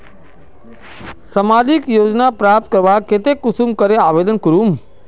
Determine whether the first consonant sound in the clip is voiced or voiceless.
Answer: voiceless